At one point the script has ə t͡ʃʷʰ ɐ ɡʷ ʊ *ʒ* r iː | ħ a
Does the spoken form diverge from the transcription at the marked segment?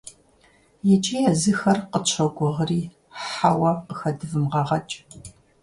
yes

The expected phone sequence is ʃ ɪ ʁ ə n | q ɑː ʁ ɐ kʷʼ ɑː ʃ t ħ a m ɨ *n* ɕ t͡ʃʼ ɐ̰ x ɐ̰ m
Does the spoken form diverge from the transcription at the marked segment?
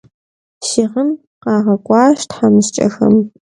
yes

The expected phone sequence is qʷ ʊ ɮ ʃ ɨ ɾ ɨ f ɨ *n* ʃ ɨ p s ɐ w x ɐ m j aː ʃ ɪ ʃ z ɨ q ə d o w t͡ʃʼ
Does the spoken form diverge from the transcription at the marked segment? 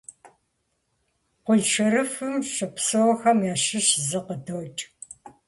yes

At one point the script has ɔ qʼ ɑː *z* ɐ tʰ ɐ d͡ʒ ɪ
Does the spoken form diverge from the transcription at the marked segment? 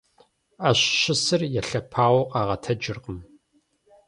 yes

